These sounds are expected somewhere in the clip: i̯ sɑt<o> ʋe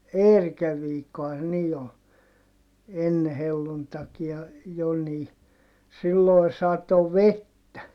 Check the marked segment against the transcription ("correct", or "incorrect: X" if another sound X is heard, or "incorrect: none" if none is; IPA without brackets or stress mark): correct